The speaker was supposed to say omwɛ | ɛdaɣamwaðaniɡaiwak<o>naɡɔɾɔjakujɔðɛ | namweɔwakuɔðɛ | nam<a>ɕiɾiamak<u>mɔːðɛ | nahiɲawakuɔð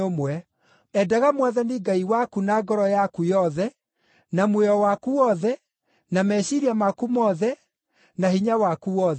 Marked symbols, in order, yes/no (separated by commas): no, no, yes